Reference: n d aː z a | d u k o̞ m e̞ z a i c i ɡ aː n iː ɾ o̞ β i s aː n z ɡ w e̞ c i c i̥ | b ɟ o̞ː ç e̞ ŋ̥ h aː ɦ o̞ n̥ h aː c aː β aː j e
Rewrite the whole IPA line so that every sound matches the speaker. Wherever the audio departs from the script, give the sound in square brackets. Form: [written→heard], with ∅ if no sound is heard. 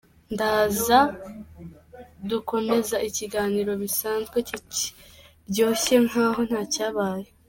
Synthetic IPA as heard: n d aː z a | d u k o̞ m e̞ z a i c i ɡ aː n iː ɾ o̞ β i s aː n z ɡ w e̞ c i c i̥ | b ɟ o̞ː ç e̞ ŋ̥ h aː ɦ o̞ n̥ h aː c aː β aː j e